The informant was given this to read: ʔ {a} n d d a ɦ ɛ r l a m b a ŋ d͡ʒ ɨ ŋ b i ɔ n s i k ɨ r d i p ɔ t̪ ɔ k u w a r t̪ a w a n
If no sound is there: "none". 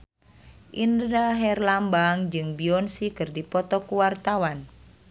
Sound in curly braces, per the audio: i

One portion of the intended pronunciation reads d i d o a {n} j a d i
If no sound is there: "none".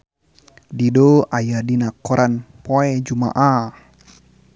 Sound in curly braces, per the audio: none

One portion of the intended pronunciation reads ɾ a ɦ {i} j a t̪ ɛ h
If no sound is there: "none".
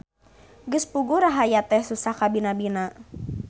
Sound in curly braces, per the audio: a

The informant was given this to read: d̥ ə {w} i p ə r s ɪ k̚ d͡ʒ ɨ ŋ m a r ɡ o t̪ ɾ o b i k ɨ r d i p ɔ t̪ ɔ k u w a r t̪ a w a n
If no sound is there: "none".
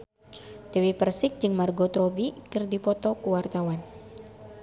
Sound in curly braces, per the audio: w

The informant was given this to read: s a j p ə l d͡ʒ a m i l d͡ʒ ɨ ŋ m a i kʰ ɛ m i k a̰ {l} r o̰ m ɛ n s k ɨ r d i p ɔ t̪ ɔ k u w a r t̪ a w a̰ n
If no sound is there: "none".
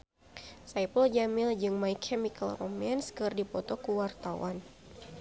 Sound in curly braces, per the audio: l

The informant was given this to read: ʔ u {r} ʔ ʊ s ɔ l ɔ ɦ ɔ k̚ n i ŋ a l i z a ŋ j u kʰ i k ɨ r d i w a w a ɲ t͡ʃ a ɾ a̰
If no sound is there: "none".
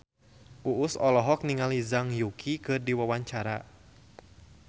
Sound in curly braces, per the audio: none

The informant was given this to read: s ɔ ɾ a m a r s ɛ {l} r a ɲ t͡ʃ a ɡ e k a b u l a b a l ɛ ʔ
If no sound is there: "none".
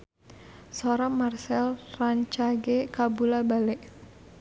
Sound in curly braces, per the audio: l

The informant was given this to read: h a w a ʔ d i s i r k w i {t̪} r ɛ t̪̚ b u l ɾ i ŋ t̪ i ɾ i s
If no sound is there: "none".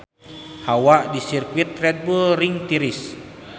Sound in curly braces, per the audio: t̪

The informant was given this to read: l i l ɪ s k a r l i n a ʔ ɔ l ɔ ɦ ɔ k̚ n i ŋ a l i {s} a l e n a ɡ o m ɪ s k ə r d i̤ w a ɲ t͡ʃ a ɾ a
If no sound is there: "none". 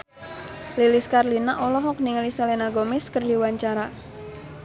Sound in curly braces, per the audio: s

